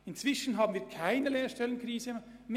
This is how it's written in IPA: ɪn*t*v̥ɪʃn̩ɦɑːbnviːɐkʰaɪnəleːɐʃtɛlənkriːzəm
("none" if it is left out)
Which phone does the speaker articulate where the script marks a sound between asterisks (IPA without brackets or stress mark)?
t͡s